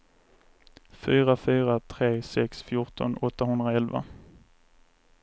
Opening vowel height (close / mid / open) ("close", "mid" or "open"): close